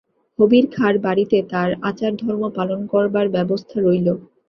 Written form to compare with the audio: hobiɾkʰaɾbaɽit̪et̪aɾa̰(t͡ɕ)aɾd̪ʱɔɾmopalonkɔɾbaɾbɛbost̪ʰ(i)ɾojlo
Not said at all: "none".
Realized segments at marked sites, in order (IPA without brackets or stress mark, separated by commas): t͡ɕ, a